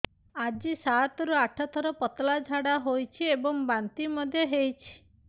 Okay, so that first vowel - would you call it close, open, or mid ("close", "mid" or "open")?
open